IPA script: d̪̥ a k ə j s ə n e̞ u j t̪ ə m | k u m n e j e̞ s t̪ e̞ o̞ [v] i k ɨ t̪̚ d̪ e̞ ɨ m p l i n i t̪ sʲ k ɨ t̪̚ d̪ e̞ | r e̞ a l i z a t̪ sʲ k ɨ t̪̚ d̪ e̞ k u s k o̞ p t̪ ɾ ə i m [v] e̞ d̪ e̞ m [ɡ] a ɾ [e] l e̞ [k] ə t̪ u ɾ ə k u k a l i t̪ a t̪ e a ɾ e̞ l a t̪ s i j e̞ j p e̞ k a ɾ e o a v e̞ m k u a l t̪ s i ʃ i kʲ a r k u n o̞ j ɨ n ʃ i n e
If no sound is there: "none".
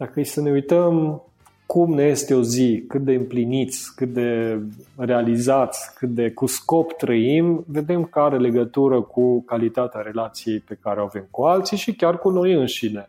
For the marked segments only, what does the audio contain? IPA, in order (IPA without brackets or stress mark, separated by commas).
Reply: z, v, k, e, ɡ